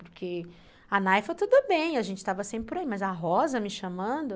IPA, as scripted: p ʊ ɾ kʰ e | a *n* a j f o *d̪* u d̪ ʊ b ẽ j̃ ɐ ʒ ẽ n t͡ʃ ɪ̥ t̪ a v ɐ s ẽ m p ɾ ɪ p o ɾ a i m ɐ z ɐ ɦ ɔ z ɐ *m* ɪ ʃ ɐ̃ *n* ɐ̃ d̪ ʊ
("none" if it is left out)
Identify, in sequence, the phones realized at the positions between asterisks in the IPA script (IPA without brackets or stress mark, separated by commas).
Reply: n, t̪, m, m